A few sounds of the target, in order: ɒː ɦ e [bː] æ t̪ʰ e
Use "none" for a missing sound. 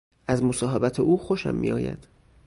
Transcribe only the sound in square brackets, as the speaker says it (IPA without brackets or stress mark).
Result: b